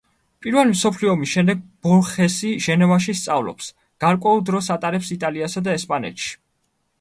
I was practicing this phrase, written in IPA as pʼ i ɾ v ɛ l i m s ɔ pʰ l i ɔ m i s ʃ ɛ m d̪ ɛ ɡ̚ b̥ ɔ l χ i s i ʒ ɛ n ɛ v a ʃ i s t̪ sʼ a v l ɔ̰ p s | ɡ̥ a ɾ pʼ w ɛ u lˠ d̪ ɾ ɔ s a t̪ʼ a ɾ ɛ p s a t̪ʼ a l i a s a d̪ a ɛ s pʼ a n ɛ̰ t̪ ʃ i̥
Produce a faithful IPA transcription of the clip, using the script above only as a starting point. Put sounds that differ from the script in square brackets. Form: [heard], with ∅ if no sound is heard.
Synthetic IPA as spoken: pʼ i ɾ v ɛ l i m s ɔ pʰ l i ɔ m i s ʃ ɛ m d̪ ɛ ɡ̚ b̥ ɔ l χ [ɛ] s i ʒ ɛ n ɛ v a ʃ i s t̪ sʼ a v l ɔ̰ p s | ɡ̥ a ɾ [kʼ] w ɛ u lˠ d̪ ɾ ɔ s a t̪ʼ a ɾ ɛ p s [i] t̪ʼ a l i a s a d̪ a ɛ s pʼ a n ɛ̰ t̪ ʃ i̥

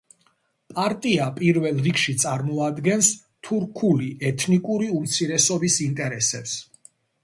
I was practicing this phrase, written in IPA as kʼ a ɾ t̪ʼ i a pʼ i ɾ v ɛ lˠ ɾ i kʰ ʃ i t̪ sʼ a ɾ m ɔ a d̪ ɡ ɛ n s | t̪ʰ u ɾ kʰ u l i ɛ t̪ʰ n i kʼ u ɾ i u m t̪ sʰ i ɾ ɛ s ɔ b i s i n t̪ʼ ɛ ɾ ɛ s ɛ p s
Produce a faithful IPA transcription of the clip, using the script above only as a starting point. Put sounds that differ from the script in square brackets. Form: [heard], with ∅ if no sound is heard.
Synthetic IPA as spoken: [pʼ] a ɾ t̪ʼ i a pʼ i ɾ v ɛ lˠ ɾ i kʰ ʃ i t̪ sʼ a ɾ m ɔ a d̪ ɡ ɛ n s | t̪ʰ u ɾ kʰ u l i ɛ t̪ʰ n i kʼ u ɾ i u m t̪ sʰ i ɾ ɛ s ɔ b i s i n t̪ʼ ɛ ɾ ɛ s ɛ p s

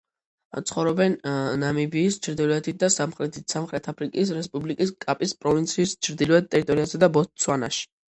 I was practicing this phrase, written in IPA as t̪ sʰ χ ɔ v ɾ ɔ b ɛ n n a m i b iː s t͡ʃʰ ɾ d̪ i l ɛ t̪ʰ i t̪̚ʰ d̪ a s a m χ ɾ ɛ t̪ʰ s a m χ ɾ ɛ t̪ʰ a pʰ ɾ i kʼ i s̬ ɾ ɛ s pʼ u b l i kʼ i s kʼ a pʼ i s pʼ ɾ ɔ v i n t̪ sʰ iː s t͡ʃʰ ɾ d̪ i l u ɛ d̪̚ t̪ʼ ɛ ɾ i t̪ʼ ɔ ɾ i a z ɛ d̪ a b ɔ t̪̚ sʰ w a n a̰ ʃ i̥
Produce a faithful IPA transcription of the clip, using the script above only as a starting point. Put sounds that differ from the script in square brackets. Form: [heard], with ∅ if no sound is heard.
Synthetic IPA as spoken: t̪ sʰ χ ɔ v ɾ ɔ b ɛ n n a m i b iː s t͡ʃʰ ɾ d̪ i l ɛ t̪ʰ i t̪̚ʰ d̪ a s a m χ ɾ ɛ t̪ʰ s a m χ ɾ ɛ t̪ʰ a pʰ ɾ i kʼ i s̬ ɾ ɛ s pʼ u b l i kʼ i s kʼ a pʼ i s pʼ ɾ ɔ v i n t̪ sʰ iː s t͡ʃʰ ɾ d̪ i l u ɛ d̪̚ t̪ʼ ɛ ɾ i t̪ʼ ɔ ɾ i a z ɛ d̪ a b ɔ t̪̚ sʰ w a n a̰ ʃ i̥

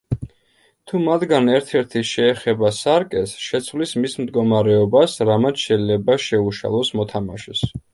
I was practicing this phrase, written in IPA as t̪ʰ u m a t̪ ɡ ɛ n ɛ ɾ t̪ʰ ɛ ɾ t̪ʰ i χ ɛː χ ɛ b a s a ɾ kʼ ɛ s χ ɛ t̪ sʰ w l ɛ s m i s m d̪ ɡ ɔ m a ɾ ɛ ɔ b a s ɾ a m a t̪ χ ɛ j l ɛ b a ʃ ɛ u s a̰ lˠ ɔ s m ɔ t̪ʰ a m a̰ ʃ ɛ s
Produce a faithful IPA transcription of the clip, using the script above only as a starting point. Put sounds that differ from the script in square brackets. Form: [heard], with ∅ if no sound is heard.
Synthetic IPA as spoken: t̪ʰ u m a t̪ ɡ [a] n ɛ ɾ t̪ʰ ɛ ɾ t̪ʰ i [ʃ] ɛː χ ɛ b a s a ɾ kʼ ɛ s [ʃ] ɛ t̪ sʰ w l [i] s m i s m d̪ ɡ ɔ m a ɾ ɛ ɔ b a s ɾ a m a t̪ [ʃ] ɛ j l ɛ b a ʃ ɛ u [ʃ] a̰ lˠ ɔ s m ɔ t̪ʰ a m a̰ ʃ ɛ s

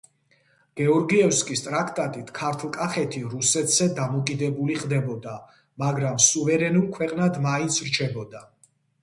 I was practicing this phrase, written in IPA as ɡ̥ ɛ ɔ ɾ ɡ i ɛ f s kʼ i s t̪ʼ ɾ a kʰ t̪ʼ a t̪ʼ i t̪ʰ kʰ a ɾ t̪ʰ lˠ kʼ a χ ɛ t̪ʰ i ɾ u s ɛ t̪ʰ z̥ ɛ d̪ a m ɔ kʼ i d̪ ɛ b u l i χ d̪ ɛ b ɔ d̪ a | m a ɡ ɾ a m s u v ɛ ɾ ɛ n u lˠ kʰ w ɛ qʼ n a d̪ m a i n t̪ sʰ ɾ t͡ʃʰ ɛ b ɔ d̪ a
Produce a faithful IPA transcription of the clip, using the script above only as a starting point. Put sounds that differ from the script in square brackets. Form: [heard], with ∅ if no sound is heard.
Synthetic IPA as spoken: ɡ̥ ɛ ɔ ɾ ɡ i ɛ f s kʼ i s t̪ʼ ɾ a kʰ t̪ʼ a t̪ʼ i t̪ʰ kʰ a ɾ t̪ʰ lˠ kʼ a χ ɛ t̪ʰ i ɾ u s ɛ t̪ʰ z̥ ɛ d̪ a m ɔ kʼ i d̪ ɛ b u l i χ d̪ ɛ b ɔ d̪ a | m a ɡ ɾ a m s u v ɛ ɾ ɛ n u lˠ kʰ w ɛ qʼ n a d̪ m a i n t̪ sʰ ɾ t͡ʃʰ ɛ b ɔ d̪ a

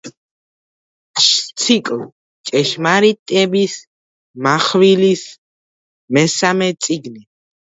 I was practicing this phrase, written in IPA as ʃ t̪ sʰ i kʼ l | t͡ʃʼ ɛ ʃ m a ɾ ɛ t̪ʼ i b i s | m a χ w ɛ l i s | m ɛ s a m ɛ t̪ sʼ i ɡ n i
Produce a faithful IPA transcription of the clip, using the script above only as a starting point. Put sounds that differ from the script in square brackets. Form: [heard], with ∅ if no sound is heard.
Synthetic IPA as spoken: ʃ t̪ sʰ i kʼ l | t͡ʃʼ ɛ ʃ m a ɾ [i] t̪ʼ [ɛ] b i s | m a χ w [i] l i s | m ɛ s a m ɛ t̪ sʼ i ɡ n i

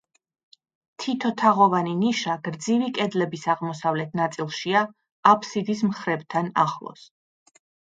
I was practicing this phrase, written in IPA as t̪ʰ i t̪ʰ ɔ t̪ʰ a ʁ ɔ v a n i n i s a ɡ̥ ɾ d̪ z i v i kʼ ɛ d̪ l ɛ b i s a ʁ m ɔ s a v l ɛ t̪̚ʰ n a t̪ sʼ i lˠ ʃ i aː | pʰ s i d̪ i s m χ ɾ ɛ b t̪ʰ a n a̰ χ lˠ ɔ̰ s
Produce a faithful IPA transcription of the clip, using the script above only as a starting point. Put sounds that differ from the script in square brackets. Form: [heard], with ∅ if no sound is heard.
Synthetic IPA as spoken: t̪ʰ i t̪ʰ ɔ t̪ʰ a ʁ ɔ v a n i n i [ʃ] a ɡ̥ ɾ d̪ z i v i kʼ ɛ d̪ l ɛ b i s a ʁ m ɔ s a v l ɛ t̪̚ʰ n a t̪ sʼ i lˠ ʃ i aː | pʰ s i d̪ i s m χ ɾ ɛ b t̪ʰ a n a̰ χ lˠ ɔ̰ s

